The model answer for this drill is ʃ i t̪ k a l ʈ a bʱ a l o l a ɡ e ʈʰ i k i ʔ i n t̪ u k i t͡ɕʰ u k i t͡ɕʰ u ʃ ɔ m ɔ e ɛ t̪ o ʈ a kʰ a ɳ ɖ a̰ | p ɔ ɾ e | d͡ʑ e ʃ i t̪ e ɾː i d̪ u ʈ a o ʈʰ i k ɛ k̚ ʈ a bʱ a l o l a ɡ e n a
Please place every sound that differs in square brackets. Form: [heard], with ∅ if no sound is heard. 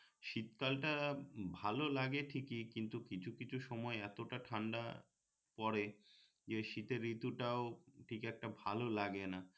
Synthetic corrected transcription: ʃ i t̪ k a l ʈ a bʱ a l o l a ɡ e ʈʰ i k i [k] i n t̪ u k i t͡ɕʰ u k i t͡ɕʰ u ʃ ɔ m ɔ e ɛ t̪ o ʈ a [ʈʰ] a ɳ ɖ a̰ | p ɔ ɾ e | d͡ʑ e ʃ i t̪ e ɾː i [t̪] u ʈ a o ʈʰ i k ɛ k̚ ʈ a bʱ a l o l a ɡ e n a